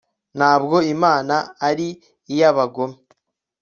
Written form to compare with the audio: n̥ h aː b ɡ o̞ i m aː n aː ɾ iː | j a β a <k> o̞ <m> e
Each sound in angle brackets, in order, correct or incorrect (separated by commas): incorrect, correct